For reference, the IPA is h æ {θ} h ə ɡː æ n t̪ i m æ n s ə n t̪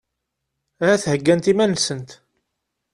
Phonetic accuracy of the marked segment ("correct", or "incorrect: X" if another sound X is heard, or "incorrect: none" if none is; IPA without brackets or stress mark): correct